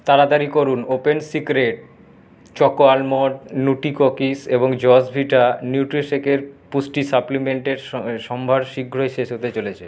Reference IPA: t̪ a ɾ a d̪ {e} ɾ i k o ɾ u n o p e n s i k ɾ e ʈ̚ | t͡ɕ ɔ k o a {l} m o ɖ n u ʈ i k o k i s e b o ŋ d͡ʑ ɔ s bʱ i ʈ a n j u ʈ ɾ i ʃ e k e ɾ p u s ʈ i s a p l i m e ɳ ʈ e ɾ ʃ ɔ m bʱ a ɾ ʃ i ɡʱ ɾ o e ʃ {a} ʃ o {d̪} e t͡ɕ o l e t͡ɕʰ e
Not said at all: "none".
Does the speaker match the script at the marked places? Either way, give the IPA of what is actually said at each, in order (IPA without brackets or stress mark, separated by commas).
a, l, e, t̪